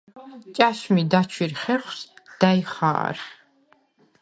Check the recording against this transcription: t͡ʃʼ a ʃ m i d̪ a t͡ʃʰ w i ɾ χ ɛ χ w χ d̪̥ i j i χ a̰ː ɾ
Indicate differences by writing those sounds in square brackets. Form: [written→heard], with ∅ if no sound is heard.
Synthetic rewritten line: t͡ʃʼ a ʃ m i d̪ a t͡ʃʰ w i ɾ χ ɛ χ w [χ→s] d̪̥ [i→a] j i χ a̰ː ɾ